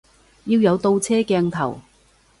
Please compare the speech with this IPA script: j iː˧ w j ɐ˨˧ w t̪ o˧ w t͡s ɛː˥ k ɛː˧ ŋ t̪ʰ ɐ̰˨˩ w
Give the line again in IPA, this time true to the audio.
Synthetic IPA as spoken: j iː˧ w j ɐ˨˧ w t̪ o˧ w t͡sʰ ɛː˥ k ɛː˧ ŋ t̪ʰ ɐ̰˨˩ w